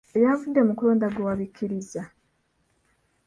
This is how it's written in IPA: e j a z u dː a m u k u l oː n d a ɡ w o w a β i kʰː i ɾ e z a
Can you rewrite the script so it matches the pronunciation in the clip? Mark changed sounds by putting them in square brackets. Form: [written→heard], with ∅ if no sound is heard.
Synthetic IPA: e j a [z→v] u dː [a→e] m u k u l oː n d a ɡ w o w a β i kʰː i ɾ [e→i] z a

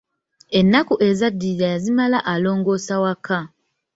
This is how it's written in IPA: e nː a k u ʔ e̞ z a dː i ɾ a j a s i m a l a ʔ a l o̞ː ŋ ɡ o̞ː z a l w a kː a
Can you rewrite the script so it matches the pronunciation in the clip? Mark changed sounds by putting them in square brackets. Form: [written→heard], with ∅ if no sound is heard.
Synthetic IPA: e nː a k u ʔ e̞ z a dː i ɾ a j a [s→z] i m a l a ʔ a l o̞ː ŋ ɡ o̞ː [z→s] a [l→∅] w a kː a

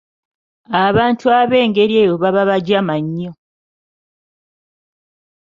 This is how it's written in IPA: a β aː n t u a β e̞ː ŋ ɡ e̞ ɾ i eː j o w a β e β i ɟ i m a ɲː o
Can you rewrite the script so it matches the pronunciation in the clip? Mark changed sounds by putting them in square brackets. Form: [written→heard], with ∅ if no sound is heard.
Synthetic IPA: a β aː n t u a β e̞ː ŋ ɡ e̞ ɾ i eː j o [w→β] a β [e→a] β [i→a] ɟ [i→a] m a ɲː o

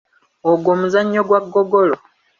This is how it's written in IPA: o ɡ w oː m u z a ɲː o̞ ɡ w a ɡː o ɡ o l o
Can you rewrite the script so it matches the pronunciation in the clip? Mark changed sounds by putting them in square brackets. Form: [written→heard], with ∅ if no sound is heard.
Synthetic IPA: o ɡ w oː m u z a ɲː o̞ ɡ w a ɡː o ɡ o l o

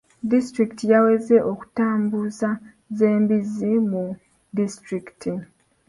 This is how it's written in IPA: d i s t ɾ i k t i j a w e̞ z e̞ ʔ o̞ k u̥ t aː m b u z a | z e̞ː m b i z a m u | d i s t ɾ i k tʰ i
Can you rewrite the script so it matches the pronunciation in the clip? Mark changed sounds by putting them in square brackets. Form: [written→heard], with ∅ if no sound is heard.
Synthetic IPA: d i s t ɾ i k t i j a w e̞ z e̞ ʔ o̞ k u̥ t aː m b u z a | z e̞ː m b i z [a→i] m u | d i s t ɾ i k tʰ i

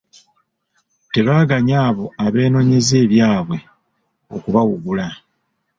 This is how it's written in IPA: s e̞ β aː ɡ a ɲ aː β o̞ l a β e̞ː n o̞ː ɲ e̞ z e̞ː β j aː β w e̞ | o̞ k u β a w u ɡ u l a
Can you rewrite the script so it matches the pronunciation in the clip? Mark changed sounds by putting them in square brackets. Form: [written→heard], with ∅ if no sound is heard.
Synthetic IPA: [s→t] e̞ β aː ɡ a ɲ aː β o̞ [l→∅] a β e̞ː n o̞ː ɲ e̞ z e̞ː β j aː β w e̞ | o̞ k u β a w u ɡ u l a

